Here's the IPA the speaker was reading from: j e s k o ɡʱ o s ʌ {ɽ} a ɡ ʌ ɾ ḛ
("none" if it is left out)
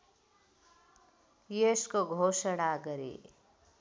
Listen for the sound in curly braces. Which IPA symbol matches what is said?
ɽ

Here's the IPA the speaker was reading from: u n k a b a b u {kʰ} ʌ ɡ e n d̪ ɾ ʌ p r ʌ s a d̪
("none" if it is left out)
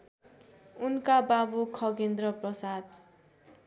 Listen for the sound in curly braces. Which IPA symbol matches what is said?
kʰ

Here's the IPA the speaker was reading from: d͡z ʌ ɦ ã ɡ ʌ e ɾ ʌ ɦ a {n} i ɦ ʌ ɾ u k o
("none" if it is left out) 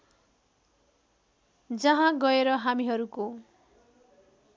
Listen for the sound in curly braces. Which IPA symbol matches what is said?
m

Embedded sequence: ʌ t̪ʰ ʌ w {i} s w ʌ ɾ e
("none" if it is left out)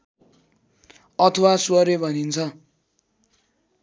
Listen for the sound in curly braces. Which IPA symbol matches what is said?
a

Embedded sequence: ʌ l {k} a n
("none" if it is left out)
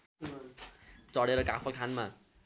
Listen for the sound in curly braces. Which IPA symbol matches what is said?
kʰ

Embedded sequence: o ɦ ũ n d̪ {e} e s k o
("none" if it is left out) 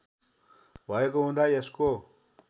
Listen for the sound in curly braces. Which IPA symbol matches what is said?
a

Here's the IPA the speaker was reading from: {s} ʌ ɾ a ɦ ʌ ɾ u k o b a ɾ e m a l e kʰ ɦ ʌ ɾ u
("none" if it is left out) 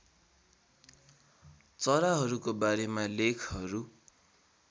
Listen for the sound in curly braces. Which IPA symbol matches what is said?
t͡s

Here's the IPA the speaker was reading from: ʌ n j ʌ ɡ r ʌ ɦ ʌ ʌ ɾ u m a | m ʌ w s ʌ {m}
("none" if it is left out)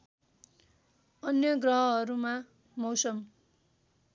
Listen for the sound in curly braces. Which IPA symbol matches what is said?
m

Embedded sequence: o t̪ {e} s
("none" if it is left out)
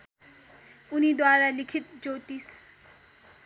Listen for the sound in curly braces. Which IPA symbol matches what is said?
i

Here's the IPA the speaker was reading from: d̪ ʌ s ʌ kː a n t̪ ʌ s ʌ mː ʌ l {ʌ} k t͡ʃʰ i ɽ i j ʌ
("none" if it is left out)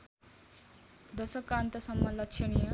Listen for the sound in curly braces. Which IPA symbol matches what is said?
ʌ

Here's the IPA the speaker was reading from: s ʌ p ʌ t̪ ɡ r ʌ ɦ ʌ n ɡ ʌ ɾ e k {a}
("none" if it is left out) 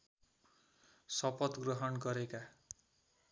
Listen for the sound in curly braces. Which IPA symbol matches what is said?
a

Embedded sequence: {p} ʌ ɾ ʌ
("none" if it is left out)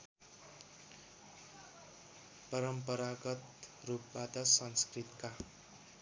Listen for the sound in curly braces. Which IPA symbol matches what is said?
p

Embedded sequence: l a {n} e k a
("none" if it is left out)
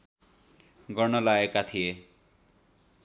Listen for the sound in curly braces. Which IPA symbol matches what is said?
none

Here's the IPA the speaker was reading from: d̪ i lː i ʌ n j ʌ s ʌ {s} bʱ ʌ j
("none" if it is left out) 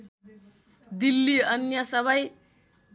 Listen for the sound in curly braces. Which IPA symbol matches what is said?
none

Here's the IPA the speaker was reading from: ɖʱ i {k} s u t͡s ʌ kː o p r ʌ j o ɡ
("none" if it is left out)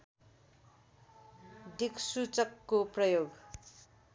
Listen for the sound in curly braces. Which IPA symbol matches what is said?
k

